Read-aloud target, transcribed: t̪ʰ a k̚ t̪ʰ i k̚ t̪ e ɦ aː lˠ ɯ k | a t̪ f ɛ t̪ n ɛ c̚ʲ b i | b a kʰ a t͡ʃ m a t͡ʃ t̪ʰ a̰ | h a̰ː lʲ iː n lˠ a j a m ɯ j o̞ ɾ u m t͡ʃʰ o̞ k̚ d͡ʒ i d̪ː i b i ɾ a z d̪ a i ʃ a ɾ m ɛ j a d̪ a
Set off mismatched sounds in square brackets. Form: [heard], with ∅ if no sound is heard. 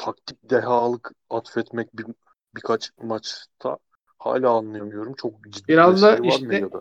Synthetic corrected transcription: t̪ʰ a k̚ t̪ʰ i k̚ [d̪] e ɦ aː lˠ ɯ k | a t̪ f ɛ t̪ [m] ɛ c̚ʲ b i | b [i] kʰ a t͡ʃ m a t͡ʃ t̪ʰ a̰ | h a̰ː lʲ [aː] n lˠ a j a m ɯ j o̞ ɾ u m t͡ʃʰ o̞ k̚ d͡ʒ i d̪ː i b i ɾ a z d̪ a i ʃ a ɾ m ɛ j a d̪ a